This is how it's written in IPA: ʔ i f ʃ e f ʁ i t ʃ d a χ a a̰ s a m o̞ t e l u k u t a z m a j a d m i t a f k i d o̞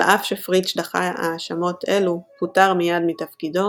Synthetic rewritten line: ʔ a f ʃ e f ʁ i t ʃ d a χ a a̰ ʃ a m o̞ t e l u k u t a ʁ m i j a d m i t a f k i d o̞